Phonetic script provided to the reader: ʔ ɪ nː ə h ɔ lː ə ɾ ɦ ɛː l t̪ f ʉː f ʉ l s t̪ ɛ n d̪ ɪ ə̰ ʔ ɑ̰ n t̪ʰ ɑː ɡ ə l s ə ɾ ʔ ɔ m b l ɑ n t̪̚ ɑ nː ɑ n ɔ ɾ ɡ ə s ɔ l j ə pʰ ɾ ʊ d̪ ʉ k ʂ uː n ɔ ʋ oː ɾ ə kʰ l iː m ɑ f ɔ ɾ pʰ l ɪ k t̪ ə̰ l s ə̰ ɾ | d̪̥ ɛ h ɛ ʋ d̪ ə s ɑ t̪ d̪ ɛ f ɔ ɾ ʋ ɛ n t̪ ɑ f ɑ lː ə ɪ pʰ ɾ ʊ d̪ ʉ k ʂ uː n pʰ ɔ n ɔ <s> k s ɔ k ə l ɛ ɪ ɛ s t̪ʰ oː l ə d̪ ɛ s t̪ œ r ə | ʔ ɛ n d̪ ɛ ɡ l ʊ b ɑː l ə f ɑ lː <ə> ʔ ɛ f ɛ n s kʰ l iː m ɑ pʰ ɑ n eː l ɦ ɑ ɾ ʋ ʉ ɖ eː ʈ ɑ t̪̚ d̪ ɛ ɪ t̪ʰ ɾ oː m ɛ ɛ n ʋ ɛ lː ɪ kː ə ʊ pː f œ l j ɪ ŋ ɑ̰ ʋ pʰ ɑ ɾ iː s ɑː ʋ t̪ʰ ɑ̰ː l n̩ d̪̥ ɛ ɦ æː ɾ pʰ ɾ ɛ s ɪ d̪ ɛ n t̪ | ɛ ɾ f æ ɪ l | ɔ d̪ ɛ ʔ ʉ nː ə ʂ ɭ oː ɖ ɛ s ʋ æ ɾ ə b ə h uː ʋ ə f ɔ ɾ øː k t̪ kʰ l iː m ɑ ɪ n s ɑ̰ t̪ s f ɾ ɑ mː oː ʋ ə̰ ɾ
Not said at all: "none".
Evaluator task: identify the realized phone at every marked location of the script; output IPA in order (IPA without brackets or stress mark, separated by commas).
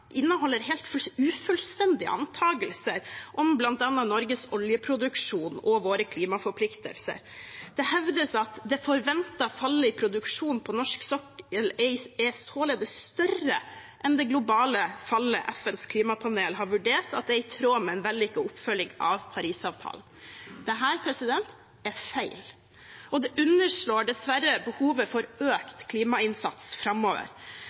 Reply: ʂ, ə